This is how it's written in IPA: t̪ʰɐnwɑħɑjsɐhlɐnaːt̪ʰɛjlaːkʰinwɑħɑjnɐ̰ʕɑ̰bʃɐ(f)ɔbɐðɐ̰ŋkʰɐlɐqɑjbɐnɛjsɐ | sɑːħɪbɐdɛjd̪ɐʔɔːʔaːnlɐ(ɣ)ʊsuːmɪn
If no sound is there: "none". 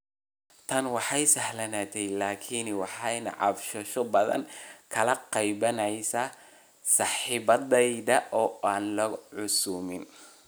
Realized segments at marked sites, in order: ʃ, ʕ

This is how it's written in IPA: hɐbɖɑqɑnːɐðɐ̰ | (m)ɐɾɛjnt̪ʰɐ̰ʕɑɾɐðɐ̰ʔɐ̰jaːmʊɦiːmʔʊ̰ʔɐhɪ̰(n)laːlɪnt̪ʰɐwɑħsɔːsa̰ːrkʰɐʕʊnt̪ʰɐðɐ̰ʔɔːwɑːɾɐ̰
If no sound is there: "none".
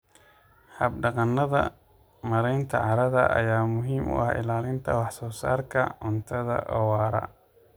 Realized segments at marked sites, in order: m, none

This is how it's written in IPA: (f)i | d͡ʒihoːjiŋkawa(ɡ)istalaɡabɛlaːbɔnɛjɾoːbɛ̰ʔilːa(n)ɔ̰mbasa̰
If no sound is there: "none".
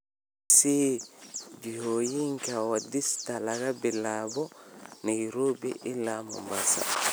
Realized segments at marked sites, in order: s, d, m

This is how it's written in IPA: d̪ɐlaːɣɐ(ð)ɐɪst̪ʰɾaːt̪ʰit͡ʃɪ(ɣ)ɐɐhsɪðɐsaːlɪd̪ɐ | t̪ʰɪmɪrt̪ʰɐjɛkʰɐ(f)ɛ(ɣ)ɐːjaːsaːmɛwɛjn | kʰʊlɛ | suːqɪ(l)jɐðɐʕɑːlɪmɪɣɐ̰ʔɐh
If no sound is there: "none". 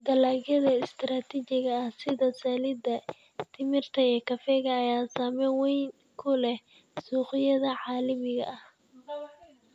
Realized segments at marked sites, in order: ð, ɣ, f, ɣ, none

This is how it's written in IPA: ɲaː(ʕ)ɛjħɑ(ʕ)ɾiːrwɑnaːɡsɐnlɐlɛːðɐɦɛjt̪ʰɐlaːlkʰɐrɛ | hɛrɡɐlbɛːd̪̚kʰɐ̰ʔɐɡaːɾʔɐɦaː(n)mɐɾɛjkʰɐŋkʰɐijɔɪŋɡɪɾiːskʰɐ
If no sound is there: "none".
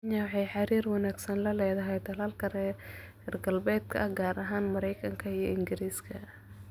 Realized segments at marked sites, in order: ʕ, none, n

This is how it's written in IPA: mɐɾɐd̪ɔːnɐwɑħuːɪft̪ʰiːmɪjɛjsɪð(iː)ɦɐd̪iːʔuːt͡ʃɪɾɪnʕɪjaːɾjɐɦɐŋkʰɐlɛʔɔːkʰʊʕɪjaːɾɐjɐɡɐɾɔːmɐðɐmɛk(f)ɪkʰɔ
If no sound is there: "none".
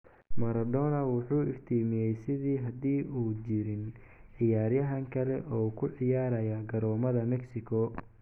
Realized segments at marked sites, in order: iː, s

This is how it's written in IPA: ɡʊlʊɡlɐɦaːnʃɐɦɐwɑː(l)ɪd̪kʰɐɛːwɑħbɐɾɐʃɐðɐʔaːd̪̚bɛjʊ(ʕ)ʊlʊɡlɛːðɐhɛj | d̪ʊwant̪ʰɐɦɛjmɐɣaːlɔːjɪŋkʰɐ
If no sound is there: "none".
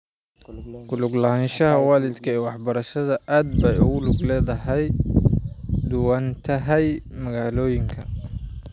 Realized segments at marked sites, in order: l, ɣ

